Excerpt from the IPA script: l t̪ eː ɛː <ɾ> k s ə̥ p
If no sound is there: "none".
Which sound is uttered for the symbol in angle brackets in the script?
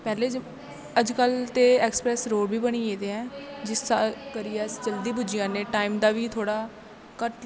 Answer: none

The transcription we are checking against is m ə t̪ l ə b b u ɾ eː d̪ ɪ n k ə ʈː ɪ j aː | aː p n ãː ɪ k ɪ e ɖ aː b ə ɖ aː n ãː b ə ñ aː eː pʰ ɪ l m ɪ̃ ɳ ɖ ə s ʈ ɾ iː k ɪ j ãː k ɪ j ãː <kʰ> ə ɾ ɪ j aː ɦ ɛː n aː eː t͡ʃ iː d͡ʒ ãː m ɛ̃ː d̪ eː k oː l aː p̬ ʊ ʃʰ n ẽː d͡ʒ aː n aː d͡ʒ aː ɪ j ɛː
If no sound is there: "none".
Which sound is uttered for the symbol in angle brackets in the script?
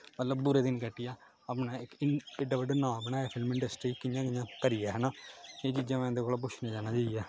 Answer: k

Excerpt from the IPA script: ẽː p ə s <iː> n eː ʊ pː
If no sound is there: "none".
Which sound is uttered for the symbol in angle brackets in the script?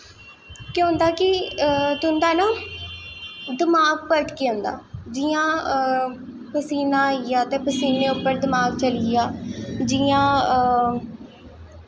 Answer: iː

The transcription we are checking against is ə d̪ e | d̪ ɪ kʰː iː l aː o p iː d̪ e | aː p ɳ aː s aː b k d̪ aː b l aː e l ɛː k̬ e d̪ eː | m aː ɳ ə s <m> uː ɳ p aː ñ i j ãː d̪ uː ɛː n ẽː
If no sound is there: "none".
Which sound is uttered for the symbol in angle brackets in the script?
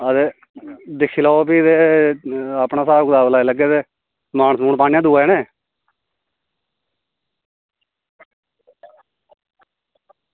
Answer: m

